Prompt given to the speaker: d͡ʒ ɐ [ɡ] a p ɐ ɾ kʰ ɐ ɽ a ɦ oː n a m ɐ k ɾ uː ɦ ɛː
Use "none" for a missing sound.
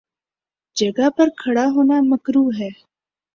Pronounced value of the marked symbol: ɡ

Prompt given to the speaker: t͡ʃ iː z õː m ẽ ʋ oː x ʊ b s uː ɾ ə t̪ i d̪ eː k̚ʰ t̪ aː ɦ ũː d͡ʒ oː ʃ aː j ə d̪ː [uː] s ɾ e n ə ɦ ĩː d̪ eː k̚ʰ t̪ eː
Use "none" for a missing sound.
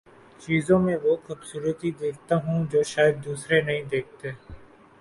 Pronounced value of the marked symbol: uː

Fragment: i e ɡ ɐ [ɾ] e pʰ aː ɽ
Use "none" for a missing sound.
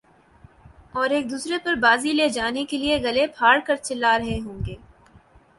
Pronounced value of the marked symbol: l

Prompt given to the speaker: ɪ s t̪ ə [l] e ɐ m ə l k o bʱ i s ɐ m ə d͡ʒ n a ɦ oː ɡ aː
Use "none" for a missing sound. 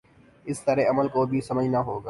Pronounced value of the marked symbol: ɾ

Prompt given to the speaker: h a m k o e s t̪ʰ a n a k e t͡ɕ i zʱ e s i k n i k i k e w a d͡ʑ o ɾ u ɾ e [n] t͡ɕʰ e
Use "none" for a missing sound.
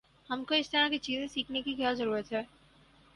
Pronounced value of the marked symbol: none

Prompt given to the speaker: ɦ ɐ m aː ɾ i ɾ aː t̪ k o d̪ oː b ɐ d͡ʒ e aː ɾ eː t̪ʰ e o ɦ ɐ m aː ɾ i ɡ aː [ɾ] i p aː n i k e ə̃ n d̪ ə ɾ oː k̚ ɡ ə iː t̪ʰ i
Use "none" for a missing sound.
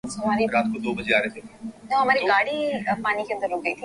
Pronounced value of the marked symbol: ɽ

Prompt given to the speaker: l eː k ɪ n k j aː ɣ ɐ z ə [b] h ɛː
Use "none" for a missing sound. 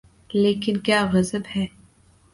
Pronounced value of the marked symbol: b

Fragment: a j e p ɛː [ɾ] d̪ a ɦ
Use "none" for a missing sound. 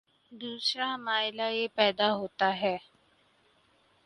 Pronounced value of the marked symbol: none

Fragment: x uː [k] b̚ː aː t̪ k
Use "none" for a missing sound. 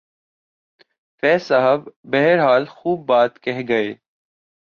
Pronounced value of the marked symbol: none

